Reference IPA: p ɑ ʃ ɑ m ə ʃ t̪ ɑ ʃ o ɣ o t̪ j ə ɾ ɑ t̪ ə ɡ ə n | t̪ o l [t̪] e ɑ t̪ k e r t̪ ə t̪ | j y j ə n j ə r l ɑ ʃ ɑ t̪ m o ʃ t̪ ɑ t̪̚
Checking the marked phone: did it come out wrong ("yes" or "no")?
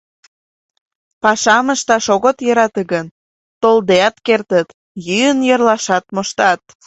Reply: yes